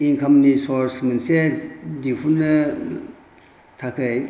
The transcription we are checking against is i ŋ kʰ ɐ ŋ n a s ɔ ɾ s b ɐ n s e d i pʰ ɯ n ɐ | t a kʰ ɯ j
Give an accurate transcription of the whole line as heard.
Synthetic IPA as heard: i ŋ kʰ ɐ m n i s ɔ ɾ s m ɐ n s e d i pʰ u n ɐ | tʰ a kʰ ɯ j